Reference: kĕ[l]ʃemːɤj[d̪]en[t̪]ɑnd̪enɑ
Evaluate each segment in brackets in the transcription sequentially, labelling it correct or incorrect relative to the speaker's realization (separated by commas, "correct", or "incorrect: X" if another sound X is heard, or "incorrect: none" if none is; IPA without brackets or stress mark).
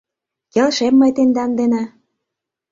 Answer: correct, incorrect: t̪, incorrect: d̪